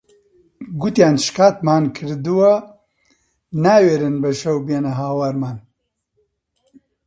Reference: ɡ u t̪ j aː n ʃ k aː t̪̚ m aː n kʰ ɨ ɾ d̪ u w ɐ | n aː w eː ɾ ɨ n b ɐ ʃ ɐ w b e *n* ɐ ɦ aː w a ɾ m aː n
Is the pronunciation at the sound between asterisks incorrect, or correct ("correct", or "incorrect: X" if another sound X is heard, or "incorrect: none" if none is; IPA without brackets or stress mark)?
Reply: correct